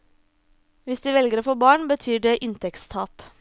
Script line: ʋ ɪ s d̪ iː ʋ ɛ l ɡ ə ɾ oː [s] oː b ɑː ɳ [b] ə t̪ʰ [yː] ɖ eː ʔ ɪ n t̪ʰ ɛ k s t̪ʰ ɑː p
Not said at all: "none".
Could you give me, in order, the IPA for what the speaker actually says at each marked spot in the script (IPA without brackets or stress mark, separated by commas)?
f, b, yː